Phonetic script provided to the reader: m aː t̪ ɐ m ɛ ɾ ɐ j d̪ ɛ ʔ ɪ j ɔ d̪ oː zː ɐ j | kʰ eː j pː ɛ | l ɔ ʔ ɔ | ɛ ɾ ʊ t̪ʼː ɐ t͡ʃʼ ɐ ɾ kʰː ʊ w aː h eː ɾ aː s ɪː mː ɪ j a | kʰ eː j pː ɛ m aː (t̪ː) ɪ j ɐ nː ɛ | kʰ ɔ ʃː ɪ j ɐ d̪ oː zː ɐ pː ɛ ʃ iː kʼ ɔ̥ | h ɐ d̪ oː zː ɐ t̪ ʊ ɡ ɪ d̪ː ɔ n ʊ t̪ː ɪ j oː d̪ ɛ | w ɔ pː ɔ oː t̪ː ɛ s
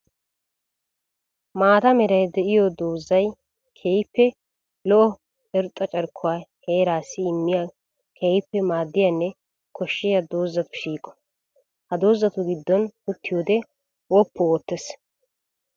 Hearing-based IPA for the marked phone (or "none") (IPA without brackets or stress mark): d̪ː